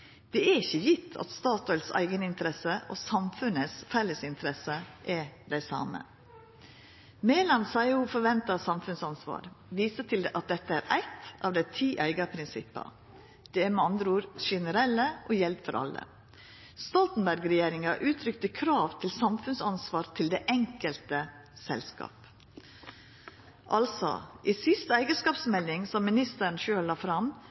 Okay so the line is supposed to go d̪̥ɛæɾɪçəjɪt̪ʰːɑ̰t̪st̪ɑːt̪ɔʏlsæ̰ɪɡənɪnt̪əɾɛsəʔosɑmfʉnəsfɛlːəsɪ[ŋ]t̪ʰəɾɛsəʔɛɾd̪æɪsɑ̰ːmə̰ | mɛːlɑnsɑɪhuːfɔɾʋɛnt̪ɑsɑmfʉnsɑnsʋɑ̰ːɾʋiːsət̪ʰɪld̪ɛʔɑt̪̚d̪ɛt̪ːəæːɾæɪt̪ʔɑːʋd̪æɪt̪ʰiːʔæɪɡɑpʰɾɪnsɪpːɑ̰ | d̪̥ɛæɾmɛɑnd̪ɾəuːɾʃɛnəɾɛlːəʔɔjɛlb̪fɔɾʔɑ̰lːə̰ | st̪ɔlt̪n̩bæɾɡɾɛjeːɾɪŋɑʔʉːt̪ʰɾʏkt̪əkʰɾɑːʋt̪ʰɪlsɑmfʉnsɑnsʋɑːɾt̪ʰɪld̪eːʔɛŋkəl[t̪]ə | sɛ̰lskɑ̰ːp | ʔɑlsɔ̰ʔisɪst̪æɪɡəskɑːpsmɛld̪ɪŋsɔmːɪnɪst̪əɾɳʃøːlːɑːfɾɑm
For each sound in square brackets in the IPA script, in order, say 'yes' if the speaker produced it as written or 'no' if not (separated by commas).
no, yes